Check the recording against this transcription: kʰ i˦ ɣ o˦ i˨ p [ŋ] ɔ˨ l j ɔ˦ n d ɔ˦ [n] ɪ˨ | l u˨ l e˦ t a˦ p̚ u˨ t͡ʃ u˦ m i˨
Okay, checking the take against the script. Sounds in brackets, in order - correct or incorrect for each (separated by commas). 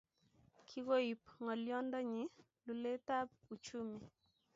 correct, incorrect